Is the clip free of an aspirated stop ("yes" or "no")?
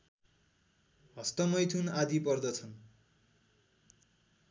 no